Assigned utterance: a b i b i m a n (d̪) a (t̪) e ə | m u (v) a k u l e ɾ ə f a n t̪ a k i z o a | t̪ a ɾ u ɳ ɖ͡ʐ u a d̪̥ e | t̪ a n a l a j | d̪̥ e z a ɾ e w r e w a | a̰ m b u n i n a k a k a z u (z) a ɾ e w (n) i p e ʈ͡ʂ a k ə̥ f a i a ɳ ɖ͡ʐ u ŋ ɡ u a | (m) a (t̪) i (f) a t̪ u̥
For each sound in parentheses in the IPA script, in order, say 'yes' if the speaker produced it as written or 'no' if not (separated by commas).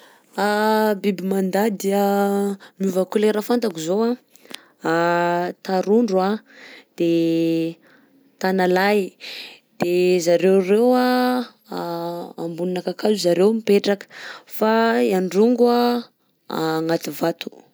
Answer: yes, no, yes, yes, no, no, yes, no